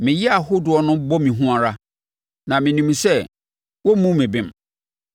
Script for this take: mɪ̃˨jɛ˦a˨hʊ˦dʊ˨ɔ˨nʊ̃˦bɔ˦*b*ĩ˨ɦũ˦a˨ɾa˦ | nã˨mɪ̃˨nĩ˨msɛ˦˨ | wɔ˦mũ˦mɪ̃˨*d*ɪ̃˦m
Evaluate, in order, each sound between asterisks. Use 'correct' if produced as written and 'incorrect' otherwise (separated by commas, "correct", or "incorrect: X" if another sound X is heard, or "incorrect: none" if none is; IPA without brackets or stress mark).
incorrect: m, incorrect: b